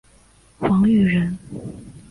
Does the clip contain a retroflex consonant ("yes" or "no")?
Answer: yes